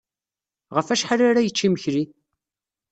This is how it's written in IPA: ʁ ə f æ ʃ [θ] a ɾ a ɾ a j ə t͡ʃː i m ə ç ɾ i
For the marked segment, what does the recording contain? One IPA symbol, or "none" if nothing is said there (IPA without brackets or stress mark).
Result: ħ